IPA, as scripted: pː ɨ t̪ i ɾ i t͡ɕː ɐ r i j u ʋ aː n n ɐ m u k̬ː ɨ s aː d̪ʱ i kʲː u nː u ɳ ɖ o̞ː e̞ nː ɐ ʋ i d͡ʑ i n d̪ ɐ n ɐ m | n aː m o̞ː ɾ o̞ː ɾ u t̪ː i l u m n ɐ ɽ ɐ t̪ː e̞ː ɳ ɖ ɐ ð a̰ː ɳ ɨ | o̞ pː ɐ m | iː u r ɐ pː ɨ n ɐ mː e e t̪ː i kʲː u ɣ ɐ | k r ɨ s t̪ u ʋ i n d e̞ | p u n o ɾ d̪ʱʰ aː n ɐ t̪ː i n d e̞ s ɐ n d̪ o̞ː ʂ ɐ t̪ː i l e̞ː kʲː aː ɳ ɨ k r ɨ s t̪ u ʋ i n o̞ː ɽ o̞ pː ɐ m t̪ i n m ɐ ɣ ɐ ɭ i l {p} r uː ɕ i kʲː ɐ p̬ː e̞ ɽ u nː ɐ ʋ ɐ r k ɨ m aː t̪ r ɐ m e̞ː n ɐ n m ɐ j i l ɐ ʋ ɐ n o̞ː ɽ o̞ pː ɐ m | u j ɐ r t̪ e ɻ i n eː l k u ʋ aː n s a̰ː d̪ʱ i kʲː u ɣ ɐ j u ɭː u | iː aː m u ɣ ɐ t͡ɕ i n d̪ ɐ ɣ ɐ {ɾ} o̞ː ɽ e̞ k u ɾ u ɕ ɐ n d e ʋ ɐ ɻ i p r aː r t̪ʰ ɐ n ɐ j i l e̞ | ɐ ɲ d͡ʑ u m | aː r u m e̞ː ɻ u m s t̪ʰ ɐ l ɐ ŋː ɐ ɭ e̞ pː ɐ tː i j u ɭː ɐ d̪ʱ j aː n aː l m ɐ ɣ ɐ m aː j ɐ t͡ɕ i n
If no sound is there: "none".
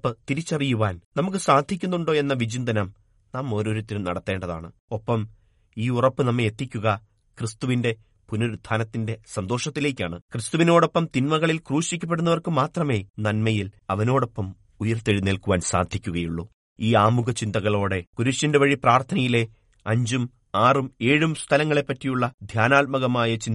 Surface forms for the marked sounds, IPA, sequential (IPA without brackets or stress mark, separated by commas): k, ɭ